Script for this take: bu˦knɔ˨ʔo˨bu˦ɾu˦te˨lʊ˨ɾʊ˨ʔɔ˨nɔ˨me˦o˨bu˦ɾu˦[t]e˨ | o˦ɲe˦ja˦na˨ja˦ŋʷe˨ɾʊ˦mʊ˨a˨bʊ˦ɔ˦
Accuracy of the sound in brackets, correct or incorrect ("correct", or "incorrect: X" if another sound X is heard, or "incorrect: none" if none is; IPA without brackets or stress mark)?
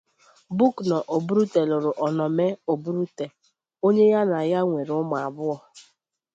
correct